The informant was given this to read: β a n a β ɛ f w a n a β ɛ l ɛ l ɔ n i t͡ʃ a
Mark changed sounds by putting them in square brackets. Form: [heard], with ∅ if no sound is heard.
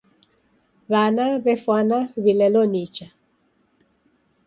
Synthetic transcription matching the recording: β a n a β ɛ f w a n a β [i] l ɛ l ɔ n i t͡ʃ a

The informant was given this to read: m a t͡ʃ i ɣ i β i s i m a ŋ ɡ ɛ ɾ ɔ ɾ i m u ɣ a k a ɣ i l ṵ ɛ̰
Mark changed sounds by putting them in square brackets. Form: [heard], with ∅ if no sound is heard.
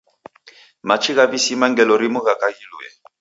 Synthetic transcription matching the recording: m a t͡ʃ i ɣ [a] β i s i m a ŋ ɡ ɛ [l] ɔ ɾ i m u ɣ a k a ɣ i l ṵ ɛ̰

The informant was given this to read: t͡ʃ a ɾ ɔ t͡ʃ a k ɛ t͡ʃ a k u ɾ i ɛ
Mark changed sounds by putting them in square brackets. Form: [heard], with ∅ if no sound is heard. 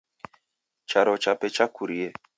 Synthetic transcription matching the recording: t͡ʃ a ɾ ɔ t͡ʃ a [p] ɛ t͡ʃ a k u ɾ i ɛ

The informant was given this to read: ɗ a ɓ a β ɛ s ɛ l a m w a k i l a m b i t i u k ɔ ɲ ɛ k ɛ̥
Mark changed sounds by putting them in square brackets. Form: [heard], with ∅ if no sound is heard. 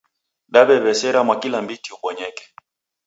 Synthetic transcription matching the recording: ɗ a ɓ [ɛ] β ɛ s ɛ [ɾ] a m w a k i l a m b i t i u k ɔ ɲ ɛ k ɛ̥

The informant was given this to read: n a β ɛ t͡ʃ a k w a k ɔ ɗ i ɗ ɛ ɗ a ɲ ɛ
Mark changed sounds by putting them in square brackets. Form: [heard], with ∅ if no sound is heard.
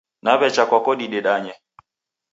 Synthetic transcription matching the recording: n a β ɛ t͡ʃ a k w a k ɔ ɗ i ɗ ɛ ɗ a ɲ ɛ

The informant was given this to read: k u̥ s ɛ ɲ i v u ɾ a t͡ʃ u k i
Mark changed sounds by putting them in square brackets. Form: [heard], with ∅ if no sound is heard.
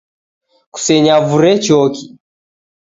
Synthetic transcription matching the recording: k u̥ s ɛ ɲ [a] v u ɾ [ɛ] t͡ʃ [ɔ] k i

